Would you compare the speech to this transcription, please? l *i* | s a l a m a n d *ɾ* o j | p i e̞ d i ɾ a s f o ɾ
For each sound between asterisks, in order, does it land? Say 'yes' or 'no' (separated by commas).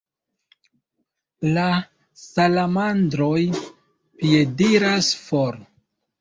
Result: no, yes